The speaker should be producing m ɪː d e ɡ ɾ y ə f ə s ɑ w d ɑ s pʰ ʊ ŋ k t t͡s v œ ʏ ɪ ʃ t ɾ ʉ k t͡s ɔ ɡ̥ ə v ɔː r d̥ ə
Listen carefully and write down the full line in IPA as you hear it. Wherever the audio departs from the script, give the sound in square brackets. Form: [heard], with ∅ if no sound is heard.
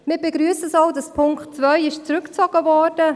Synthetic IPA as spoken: m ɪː [b] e ɡ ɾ y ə [s] ə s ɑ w d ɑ s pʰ ʊ ŋ k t t͡s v œ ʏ ɪ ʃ [t͡s] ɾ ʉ k t͡s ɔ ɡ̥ ə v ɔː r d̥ ə

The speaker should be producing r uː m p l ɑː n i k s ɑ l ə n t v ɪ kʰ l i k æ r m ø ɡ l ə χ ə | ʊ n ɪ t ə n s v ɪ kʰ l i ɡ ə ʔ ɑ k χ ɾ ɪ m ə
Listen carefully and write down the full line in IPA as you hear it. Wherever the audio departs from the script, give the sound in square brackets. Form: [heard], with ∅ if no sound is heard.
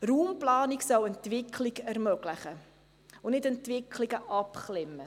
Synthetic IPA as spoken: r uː m p l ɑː n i k s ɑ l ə n t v ɪ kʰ l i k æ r m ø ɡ l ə χ ə | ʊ n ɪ t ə n [t] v ɪ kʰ l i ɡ ə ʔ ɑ [p] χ [l] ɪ m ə

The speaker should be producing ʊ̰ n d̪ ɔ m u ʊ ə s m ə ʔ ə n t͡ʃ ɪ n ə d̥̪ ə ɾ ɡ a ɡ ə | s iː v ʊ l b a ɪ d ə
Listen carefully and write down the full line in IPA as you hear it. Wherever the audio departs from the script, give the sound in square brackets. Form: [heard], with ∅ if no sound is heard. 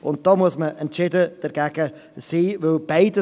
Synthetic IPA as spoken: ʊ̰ n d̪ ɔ m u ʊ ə s m ə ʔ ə n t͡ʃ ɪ [d] ə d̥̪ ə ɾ ɡ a ɡ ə | s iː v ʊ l b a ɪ d ə

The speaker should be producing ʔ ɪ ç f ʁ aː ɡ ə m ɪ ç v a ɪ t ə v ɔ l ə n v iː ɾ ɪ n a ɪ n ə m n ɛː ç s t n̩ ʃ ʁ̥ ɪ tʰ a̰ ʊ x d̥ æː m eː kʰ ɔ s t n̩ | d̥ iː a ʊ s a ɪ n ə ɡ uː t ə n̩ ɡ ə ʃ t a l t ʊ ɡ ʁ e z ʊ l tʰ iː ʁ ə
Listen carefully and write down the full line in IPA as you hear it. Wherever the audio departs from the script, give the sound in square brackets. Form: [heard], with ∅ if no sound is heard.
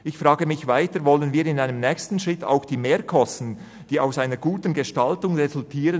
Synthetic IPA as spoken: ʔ ɪ ç f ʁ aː ɡ ə m ɪ ç v a ɪ t ə v ɔ l ə n v iː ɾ ɪ n a ɪ n ə m n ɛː ç s t n̩ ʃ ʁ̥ ɪ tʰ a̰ ʊ x d̥ [iː] m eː kʰ ɔ s t n̩ | d̥ iː a ʊ s a ɪ n ə ɡ uː t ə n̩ ɡ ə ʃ t a l t ʊ [ŋ] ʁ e z ʊ l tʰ iː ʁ ə

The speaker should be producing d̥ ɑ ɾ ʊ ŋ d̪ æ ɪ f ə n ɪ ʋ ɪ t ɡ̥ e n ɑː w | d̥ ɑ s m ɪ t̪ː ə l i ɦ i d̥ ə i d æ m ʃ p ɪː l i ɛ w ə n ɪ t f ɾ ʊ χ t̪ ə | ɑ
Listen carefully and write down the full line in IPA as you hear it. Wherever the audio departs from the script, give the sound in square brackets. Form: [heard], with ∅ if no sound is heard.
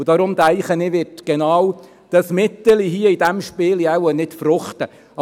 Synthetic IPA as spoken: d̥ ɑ ɾ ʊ [m] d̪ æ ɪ [χ] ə n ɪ ʋ ɪ t ɡ̥ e n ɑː w | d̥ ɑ s m ɪ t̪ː ə l i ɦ i [∅] ə i d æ m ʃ p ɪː l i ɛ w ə n ɪ t f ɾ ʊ χ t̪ ə | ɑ

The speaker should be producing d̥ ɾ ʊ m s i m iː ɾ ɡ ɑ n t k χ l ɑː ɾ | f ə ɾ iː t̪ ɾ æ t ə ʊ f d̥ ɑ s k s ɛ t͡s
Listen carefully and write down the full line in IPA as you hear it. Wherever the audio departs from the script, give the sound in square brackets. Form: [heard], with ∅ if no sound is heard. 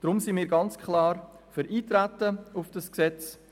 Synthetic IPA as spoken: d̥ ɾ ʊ m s i m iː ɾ ɡ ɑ n [t͡s] k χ l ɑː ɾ | f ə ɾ iː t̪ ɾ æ t ə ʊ f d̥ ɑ s k s ɛ t͡s

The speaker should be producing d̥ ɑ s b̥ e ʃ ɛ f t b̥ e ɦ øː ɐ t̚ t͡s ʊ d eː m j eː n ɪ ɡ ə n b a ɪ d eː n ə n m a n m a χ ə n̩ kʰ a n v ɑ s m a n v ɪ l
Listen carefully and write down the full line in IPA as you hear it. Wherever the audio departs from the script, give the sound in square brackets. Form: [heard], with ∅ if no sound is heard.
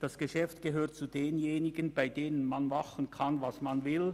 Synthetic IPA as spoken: d̥ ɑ s [ɡ̥] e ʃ ɛ f t [ɡ̥] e ɦ øː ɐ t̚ t͡s [u] d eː [n] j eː n ɪ ɡ ə n b a ɪ d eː n ə n m a n m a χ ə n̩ kʰ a n v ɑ s m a n v ɪ l

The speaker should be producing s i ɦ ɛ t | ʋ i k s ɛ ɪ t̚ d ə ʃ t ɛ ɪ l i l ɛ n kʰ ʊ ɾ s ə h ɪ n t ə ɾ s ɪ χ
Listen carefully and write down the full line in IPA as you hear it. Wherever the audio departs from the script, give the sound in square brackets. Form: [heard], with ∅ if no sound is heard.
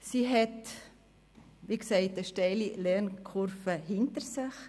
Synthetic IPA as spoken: s i ɦ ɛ t | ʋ i k s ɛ ɪ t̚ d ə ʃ t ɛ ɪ l i l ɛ n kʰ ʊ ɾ [f] ə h ɪ n t ə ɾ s ɪ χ

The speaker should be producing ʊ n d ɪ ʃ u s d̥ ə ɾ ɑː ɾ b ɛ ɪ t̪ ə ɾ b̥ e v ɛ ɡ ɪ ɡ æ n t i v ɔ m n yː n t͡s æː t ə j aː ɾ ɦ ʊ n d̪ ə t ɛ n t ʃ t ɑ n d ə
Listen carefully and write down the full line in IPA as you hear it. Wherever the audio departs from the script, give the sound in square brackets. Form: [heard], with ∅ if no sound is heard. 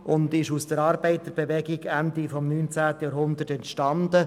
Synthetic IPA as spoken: ʊ n d ɪ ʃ u s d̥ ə ɾ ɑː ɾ b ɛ ɪ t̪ ə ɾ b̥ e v ɛ ɡ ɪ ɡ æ n [d] i [f] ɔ m n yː n t͡s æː t ə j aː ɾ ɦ ʊ n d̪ ə t ɛ n t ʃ t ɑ n d ə

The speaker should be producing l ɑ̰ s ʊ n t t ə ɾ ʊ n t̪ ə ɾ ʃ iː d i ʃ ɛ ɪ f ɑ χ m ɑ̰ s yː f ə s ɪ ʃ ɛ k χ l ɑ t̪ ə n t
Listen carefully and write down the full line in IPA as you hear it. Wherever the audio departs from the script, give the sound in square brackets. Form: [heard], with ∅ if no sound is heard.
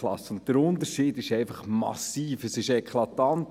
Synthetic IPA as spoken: l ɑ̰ s ʊ n t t ə ɾ ʊ n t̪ ə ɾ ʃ iː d [ɪ] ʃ ɛ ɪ f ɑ χ m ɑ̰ s [iː] f ə s ɪ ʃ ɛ k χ l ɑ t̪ [ɑ] n t

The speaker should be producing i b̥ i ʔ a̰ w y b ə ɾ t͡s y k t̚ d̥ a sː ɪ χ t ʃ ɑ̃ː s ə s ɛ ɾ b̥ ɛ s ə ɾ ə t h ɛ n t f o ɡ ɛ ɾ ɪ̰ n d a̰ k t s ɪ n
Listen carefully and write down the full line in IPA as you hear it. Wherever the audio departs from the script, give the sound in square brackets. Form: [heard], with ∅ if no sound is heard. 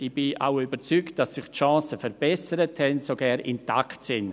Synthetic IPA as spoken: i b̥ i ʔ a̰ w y b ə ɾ t͡s y k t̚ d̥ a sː ɪ χ t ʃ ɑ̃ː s ə [f] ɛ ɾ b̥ ɛ s ə ɾ ə t h ɛ n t [s] o ɡ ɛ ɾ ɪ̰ n [t] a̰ k t s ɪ n

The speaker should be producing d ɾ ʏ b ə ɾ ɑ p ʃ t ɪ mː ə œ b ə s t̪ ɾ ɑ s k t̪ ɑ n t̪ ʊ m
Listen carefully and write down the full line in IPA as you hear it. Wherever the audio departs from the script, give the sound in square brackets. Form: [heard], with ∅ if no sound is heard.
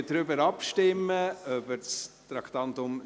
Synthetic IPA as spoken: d ɾ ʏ b ə ɾ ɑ p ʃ t ɪ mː ə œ b ə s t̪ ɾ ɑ [∅] k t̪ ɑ n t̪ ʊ m

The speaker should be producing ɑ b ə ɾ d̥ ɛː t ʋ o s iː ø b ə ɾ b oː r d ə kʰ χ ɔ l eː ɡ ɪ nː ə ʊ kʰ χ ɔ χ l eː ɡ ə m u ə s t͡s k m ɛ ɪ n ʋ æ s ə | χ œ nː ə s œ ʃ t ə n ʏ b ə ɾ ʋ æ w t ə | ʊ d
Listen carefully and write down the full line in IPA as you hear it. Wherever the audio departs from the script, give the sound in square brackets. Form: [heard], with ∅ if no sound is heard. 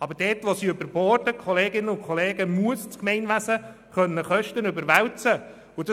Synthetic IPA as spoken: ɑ b ə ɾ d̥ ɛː t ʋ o s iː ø b ə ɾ b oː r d ə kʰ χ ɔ l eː ɡ ɪ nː ə ʊ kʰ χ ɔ [∅] l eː ɡ ə m u ə s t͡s k m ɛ ɪ n ʋ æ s ə | χ œ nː ə [χ] œ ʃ t ə n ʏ b ə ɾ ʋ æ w [t͡s] ə | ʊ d

